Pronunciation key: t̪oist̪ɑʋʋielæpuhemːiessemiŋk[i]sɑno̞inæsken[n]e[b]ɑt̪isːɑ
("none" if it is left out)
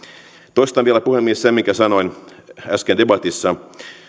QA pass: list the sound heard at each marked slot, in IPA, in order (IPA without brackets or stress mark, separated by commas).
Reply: æ, d, b